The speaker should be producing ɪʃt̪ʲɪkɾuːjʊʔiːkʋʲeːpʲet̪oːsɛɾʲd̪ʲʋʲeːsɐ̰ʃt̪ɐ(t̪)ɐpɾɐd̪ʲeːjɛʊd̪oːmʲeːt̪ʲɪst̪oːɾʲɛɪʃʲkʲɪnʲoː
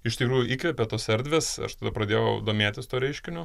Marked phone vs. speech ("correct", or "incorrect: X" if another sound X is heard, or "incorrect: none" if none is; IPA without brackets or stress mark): incorrect: d̪